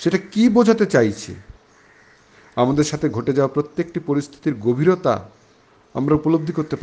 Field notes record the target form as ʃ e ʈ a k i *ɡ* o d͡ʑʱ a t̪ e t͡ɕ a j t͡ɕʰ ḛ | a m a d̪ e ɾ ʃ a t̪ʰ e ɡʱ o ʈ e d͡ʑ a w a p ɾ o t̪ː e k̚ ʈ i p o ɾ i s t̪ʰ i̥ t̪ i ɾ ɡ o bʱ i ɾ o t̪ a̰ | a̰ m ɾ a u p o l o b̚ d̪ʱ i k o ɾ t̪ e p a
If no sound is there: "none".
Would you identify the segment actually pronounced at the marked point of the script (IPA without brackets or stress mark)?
b